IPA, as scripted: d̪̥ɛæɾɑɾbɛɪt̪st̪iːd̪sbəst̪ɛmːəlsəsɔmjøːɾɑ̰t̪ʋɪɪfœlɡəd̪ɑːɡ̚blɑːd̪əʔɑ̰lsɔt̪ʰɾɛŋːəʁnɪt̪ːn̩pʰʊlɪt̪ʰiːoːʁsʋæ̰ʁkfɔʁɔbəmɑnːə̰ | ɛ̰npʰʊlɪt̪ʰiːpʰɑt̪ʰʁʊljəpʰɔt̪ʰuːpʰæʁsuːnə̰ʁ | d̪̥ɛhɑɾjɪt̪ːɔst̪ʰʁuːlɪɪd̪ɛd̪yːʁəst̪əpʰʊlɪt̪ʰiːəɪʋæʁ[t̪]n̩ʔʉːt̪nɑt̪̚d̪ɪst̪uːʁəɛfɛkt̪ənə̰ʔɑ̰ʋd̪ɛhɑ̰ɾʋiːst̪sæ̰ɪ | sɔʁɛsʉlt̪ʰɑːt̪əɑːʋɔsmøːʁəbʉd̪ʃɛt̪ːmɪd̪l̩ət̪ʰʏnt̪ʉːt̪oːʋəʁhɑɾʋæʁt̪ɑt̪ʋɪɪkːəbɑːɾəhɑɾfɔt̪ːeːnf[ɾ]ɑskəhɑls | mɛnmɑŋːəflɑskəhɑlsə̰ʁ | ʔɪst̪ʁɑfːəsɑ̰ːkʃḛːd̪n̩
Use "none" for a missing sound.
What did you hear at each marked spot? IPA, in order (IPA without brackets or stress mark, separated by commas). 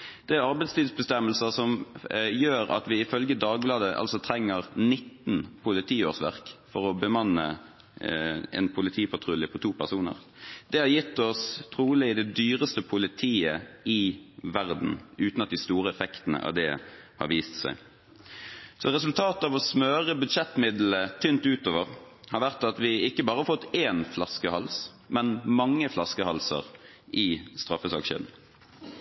d̪, l